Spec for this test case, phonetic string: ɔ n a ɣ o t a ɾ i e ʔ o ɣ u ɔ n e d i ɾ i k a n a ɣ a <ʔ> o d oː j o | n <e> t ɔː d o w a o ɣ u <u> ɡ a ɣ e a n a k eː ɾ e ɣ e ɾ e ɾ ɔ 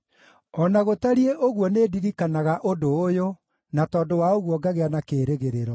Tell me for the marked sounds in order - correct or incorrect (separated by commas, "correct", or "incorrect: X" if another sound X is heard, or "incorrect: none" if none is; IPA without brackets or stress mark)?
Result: correct, incorrect: a, incorrect: ɔ